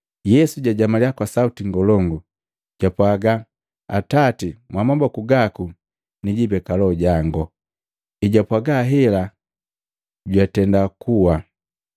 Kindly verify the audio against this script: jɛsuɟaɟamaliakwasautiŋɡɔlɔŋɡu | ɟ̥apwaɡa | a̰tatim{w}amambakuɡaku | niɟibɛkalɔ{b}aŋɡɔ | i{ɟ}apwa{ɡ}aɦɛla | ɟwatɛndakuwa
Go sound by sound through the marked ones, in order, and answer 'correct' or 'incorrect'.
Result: correct, incorrect: ɟ, correct, correct

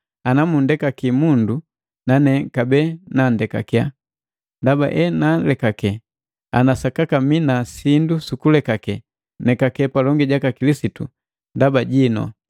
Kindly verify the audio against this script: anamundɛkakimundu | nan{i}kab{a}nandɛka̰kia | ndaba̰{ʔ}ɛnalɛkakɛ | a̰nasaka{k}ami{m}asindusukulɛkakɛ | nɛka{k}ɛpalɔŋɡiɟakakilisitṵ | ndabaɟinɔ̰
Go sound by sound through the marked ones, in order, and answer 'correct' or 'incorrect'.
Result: incorrect: ɛ, incorrect: ɛ, correct, correct, incorrect: n, correct

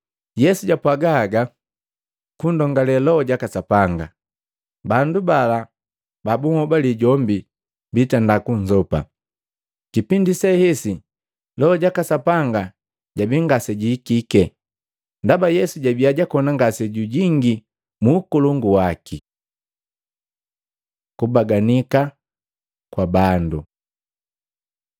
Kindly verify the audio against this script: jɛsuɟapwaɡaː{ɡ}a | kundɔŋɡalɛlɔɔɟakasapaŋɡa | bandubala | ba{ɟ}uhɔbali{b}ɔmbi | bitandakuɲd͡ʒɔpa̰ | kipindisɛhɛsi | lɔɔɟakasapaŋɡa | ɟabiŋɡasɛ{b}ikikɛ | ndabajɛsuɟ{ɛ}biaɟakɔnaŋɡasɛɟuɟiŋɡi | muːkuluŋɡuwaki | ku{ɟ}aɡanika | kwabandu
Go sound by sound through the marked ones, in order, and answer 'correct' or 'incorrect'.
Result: correct, incorrect: b, incorrect: ɟ, incorrect: ɟ, incorrect: a, incorrect: b

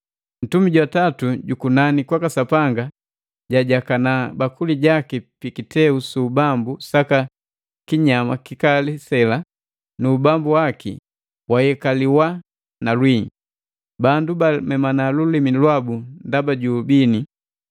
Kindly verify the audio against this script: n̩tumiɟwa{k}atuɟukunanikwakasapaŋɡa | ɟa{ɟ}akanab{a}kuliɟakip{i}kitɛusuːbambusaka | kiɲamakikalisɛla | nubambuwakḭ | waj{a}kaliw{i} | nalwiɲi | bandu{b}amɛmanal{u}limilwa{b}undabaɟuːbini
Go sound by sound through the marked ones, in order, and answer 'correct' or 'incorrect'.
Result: incorrect: t, correct, correct, correct, incorrect: ɛ, incorrect: a, correct, correct, correct

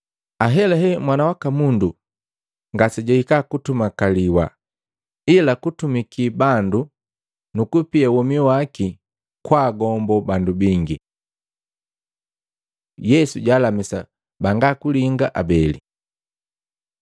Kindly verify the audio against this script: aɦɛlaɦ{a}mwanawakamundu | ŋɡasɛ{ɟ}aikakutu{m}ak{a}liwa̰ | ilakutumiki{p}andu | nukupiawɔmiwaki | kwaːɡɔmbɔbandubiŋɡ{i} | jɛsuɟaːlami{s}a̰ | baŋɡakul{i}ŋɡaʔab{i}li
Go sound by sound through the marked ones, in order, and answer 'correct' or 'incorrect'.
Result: incorrect: ɛ, correct, correct, correct, incorrect: b, correct, correct, correct, incorrect: ɛ

